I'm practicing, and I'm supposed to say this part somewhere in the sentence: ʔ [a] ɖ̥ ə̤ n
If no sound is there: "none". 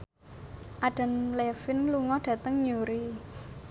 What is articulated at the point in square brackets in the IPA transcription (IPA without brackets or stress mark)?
a